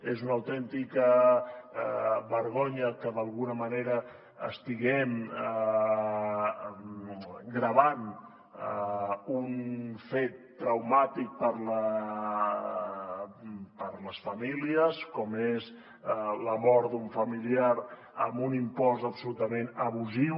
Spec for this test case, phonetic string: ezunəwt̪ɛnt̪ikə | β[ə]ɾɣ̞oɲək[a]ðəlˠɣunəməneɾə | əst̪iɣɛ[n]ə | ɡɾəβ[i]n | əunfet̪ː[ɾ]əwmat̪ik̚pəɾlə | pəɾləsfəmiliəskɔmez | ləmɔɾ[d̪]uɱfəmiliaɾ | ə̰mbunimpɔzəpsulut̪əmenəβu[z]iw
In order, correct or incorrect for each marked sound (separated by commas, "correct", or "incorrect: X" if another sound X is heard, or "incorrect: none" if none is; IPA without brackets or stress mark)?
correct, incorrect: ə, incorrect: m, incorrect: a, correct, correct, correct